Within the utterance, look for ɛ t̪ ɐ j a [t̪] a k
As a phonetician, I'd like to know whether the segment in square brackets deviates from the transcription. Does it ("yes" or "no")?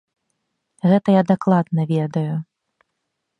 yes